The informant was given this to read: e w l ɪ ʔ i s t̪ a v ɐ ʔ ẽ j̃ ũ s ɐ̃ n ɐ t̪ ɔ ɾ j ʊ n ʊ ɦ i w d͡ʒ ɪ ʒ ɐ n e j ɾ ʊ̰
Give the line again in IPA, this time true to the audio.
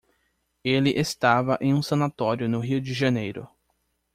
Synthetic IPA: e l ɪ ʔ e s t̪ a v ɐ ʔ ẽ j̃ ũ s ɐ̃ n a t̪ ɔ ɾ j ʊ n ʊ ɦ i w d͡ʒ ɪ ʒ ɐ n e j ɾ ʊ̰